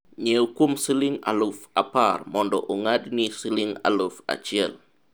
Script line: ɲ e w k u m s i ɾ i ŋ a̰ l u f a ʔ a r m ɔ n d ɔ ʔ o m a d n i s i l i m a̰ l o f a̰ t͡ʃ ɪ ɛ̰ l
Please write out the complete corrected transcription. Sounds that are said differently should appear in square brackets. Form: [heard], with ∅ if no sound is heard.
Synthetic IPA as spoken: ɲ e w k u m s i [l] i ŋ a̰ l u f a [p] a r m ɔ n d ɔ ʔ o [ŋ] a d n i s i l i [ŋ] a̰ l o f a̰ t͡ʃ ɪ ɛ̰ l